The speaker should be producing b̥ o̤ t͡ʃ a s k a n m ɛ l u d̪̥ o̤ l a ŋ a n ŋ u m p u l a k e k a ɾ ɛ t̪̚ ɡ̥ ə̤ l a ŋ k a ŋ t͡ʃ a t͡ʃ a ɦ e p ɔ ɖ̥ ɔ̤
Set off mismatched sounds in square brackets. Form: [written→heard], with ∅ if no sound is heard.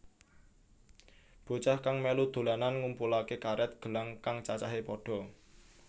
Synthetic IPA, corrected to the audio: b̥ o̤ t͡ʃ a [s→h] k a [n→ŋ] m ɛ l u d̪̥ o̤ l a [ŋ→n] a n ŋ u m p u l a k e k a ɾ ɛ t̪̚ ɡ̥ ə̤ l a ŋ k a ŋ t͡ʃ a t͡ʃ a ɦ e p ɔ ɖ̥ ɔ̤